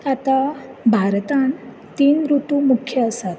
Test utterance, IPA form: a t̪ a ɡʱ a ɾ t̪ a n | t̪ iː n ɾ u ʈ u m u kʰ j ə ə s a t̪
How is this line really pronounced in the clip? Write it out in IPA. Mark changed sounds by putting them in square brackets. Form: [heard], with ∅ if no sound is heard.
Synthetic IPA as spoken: a t̪ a [bʱ] a ɾ t̪ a n | t̪ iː n ɾ u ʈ u m u kʰ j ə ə s a t̪